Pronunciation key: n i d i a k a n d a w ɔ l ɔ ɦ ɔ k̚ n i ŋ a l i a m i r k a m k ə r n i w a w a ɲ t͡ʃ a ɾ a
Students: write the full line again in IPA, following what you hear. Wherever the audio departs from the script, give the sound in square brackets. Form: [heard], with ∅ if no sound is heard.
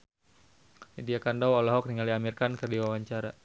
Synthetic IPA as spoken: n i d i a k a n d a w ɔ l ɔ ɦ ɔ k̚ n i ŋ a l i a m i r k a [n] k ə r [d] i w a w a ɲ t͡ʃ a ɾ a

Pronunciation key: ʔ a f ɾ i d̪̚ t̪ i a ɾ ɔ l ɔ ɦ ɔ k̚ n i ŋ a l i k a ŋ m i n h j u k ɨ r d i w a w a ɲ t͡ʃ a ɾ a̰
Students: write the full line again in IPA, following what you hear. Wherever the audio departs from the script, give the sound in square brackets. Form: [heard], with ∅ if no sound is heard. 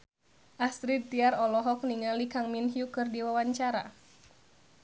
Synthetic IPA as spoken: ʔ a [s] ɾ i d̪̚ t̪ i a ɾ ɔ l ɔ ɦ ɔ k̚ n i ŋ a l i k a ŋ m i n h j u k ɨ r d i w a w a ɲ t͡ʃ a ɾ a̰

